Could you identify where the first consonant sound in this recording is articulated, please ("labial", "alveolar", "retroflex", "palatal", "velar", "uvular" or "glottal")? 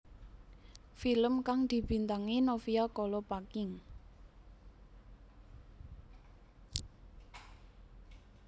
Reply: labial